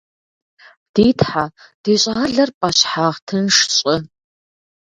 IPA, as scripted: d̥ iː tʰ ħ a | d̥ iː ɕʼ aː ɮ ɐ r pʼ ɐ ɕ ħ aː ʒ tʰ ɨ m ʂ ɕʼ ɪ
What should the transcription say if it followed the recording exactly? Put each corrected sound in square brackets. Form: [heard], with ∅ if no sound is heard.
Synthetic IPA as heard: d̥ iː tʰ ħ a | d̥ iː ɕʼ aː ɮ ɐ r pʼ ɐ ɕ ħ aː [ʁ] tʰ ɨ [n] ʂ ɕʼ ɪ